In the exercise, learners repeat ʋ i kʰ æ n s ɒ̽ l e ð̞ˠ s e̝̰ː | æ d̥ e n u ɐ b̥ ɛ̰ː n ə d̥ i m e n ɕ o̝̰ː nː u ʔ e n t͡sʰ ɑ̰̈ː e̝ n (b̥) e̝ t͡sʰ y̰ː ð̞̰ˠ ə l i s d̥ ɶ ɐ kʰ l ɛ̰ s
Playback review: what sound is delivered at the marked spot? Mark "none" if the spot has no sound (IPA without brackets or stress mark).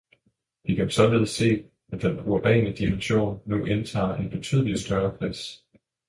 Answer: b̥